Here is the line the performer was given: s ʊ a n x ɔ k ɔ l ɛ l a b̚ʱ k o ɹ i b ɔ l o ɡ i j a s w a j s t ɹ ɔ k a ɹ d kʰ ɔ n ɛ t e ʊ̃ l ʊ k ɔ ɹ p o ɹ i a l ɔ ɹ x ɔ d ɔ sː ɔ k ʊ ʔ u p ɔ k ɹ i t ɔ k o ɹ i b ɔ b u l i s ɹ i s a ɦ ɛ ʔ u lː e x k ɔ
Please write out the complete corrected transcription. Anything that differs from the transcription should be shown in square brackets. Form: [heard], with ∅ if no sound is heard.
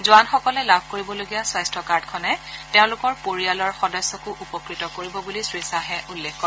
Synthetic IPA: [z] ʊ a n x ɔ k ɔ l ɛ l a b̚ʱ k o ɹ i b ɔ l o ɡ i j a s w a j s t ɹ ɔ k a ɹ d kʰ ɔ n ɛ t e ʊ̃ l ʊ k ɔ ɹ p o ɹ i a l ɔ ɹ x ɔ d ɔ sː ɔ k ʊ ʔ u p ɔ k ɹ i t ɔ k o ɹ i b ɔ b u l i s ɹ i s a ɦ ɛ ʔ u lː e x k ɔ